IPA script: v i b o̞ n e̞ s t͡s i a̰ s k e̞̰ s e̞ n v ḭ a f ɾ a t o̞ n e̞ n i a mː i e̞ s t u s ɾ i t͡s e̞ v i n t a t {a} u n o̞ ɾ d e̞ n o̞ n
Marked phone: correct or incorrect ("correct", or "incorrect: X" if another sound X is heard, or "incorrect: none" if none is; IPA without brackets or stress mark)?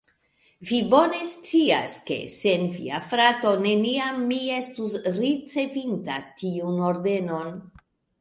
incorrect: i